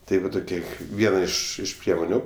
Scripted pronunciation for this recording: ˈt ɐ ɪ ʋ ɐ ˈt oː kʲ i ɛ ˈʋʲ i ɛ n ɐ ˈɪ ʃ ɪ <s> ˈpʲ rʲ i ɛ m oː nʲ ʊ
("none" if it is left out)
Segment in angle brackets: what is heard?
ʃ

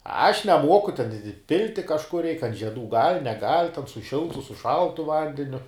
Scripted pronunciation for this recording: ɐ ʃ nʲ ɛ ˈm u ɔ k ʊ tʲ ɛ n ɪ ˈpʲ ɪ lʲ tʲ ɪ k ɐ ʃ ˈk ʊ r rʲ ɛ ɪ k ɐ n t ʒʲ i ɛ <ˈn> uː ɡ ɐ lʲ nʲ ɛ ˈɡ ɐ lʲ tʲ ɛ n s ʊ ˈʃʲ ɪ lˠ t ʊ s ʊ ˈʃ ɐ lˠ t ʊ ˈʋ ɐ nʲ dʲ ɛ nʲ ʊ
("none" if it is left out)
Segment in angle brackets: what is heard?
d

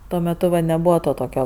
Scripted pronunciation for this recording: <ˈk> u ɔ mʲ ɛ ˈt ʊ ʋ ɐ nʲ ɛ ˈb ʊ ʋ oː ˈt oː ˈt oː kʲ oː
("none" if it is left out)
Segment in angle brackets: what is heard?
t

